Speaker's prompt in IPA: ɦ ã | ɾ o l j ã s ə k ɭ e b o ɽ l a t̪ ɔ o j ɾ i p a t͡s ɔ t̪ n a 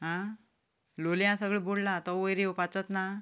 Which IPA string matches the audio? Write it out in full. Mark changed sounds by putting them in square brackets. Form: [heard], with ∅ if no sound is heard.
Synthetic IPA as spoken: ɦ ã | [l] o l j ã s ə [ɡ] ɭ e b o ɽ l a t̪ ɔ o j ɾ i p a t͡s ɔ t̪ n a